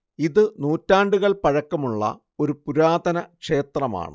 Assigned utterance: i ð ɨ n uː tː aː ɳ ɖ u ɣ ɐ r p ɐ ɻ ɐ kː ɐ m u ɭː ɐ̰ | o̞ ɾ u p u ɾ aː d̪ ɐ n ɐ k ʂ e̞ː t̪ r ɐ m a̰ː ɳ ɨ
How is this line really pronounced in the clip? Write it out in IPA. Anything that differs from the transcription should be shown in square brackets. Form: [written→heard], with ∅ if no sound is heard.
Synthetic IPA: i ð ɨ n uː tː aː ɳ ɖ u ɣ ɐ [r→ɭ] p ɐ ɻ ɐ kː ɐ m u ɭː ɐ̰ | o̞ ɾ u p u ɾ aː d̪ ɐ n ɐ k ʂ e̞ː t̪ r ɐ m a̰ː ɳ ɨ